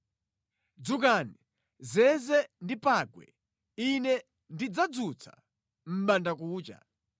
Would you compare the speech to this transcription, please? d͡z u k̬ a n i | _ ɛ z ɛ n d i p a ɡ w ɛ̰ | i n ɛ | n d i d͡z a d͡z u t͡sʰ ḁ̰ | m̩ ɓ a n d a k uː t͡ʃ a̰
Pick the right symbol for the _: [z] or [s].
z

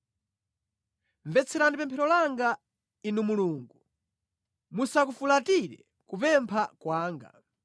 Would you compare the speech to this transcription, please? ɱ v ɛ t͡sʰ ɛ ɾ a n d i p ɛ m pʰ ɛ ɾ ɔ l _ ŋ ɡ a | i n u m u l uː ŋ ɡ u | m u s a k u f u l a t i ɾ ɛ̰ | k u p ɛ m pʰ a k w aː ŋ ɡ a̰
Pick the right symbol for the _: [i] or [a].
a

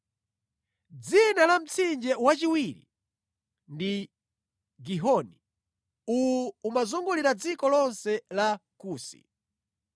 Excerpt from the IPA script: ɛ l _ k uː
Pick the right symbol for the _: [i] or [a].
a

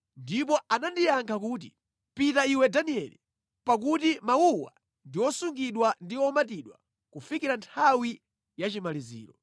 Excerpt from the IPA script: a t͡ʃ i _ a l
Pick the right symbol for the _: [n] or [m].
m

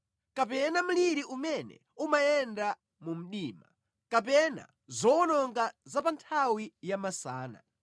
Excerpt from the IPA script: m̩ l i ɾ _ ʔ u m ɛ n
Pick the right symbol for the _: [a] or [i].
i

